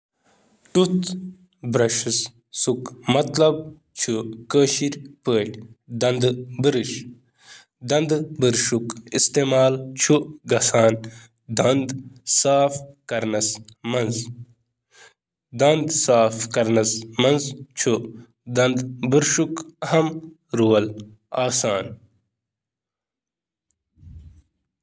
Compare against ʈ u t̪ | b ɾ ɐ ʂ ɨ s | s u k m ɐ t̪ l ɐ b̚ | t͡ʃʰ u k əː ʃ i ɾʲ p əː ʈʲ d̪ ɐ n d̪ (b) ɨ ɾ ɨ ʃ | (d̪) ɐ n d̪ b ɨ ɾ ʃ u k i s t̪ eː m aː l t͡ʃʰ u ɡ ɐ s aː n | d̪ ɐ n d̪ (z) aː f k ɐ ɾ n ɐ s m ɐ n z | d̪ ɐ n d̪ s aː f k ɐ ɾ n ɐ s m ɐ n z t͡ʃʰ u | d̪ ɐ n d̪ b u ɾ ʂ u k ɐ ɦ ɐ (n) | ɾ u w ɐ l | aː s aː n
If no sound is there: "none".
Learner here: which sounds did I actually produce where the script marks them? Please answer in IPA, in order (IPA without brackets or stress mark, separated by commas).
b, d̪, s, m